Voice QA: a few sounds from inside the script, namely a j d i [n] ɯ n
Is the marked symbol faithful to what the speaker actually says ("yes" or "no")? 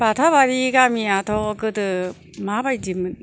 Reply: no